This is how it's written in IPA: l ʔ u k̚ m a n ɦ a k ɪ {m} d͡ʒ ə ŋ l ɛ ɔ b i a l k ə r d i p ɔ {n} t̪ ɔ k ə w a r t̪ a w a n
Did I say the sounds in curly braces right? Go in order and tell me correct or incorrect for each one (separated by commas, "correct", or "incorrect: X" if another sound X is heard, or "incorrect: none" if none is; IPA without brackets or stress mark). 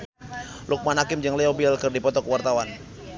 correct, incorrect: none